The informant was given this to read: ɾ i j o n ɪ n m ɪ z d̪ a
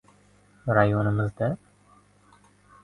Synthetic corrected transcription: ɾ a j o n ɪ m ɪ z d̪ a